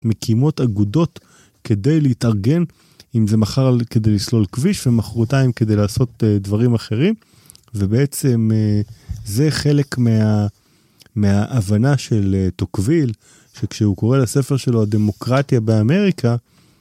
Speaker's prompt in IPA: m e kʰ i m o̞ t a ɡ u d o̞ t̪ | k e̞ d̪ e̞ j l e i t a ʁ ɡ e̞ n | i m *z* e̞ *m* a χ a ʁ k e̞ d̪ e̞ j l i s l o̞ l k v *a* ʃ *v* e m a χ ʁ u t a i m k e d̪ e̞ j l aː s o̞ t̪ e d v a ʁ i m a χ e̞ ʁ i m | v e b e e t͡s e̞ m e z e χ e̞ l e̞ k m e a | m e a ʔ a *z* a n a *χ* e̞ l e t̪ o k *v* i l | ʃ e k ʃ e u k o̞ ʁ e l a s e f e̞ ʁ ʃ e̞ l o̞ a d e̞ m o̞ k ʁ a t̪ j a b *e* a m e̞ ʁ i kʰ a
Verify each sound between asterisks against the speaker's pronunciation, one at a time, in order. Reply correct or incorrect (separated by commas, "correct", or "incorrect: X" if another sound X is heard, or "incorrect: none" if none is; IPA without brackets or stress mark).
correct, correct, incorrect: i, correct, incorrect: v, incorrect: ʃ, correct, correct